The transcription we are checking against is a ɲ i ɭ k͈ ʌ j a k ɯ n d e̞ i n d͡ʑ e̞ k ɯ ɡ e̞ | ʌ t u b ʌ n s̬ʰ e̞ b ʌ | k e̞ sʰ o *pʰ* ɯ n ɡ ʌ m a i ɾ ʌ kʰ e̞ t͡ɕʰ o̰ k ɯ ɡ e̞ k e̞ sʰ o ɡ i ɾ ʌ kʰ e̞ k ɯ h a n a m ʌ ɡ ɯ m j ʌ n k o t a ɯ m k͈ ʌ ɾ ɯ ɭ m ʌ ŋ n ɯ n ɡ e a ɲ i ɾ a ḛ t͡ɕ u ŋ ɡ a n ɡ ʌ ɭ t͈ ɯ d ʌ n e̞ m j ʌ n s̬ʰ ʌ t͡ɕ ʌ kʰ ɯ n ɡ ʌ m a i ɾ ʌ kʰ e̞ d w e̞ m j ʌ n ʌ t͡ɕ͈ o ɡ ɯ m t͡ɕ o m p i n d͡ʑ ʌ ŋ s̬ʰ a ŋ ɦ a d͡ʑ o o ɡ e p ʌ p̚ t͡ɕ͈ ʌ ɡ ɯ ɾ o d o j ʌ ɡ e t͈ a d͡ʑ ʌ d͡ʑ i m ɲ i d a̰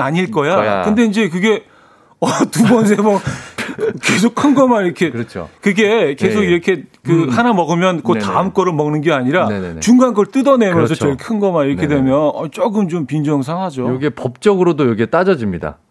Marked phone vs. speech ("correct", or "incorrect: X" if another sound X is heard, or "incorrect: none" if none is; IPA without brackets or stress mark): incorrect: kʰ